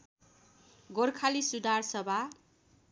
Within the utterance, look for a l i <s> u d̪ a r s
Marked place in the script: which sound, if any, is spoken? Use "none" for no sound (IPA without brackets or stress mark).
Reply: s